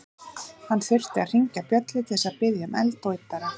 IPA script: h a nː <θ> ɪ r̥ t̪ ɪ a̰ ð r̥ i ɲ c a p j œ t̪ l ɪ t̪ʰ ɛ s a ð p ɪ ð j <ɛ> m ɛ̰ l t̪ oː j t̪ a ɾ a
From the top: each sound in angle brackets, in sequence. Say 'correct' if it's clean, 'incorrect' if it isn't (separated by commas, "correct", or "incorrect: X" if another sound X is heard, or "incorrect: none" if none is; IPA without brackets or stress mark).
correct, incorrect: a